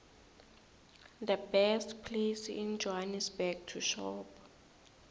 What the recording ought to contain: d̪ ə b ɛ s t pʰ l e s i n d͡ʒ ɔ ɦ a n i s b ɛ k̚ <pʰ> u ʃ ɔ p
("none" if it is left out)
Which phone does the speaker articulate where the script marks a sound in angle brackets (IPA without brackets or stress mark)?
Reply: tʰ